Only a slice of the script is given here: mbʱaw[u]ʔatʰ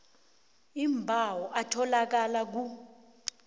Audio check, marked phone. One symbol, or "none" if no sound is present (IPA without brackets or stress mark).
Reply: ɔ